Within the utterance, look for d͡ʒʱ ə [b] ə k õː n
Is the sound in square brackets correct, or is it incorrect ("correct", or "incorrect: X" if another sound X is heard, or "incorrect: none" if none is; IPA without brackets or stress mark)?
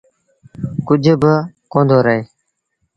correct